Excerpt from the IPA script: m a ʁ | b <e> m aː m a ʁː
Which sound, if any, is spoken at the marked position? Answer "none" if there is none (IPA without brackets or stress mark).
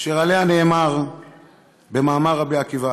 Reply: e